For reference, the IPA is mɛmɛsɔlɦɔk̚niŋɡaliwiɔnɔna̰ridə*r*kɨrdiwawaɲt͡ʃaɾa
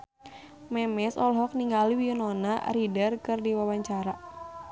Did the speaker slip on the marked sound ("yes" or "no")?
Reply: no